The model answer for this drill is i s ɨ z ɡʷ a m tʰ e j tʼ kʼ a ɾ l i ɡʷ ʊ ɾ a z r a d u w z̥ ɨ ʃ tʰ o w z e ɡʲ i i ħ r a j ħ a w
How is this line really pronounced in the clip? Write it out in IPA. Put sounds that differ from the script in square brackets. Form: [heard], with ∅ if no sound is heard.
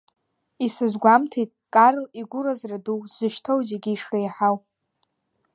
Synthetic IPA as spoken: i s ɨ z ɡʷ a m tʰ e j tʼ kʼ a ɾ l i ɡʷ ʊ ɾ a z r a d u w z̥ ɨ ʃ tʰ o w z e ɡʲ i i [ʂ] r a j ħ a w